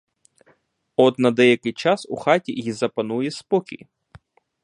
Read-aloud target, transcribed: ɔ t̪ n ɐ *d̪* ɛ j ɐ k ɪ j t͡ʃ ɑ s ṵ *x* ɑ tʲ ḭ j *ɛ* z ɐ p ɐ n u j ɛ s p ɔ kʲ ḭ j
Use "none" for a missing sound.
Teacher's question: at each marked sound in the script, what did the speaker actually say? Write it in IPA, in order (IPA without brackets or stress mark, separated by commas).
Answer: d̪, x, i